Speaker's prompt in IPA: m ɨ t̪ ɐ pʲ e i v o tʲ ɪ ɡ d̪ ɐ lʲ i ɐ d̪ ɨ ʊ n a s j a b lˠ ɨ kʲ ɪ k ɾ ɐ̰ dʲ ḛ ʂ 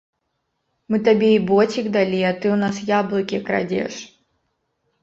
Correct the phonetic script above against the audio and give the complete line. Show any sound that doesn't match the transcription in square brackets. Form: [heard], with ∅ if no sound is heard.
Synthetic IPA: m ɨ t̪ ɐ [bʲ] e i [b] o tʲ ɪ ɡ d̪ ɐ lʲ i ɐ [t̪] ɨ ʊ n a s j a b lˠ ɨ kʲ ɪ k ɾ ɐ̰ dʲ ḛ ʂ

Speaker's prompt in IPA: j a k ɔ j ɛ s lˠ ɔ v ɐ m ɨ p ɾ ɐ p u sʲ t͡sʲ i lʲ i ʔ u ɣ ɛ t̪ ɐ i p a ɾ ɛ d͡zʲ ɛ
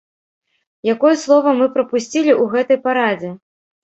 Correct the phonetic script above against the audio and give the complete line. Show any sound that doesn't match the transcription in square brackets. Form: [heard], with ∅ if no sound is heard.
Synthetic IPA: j a k ɔ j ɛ s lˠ ɔ v ɐ m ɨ p ɾ ɐ p u sʲ t͡sʲ i lʲ i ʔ u ɣ ɛ t̪ ɐ [j] p a ɾ [a] d͡zʲ ɛ

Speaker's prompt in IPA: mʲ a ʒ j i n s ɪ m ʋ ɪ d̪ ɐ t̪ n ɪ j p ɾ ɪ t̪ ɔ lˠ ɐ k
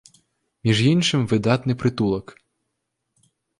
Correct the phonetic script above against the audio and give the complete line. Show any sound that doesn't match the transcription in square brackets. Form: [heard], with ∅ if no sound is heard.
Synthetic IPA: mʲ [i] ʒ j i n [ʃ] ɪ m ʋ ɪ d̪ [ɑ] t̪ n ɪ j p ɾ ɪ t̪ [u] lˠ ɐ k

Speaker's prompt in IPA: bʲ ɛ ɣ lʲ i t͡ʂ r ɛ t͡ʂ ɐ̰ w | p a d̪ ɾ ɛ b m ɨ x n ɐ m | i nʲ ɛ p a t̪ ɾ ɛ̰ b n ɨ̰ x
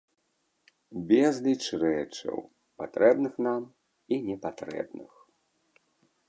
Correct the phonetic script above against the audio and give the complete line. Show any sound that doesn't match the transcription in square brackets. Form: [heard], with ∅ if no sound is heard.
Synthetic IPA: bʲ ɛ [z] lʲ i t͡ʂ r ɛ t͡ʂ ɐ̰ w | p a [t̪] ɾ ɛ b [n] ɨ x n [a] m | i nʲ ɛ p a t̪ ɾ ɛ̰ b n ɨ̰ x

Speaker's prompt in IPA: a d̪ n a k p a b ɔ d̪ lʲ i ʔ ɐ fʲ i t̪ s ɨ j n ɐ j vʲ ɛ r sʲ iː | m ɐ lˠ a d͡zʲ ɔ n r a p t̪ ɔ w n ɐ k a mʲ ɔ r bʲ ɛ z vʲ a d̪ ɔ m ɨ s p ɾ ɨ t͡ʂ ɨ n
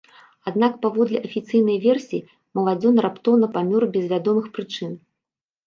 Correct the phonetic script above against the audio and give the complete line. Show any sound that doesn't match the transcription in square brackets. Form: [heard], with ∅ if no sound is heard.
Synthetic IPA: a d̪ n a k p a [v] ɔ d̪ lʲ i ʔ ɐ fʲ i t̪ s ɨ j n ɐ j vʲ ɛ r sʲ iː | m ɐ lˠ a d͡zʲ ɔ n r a p t̪ ɔ w n ɐ [p] a mʲ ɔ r bʲ ɛ z vʲ a d̪ ɔ m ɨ [x] p ɾ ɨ t͡ʂ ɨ n

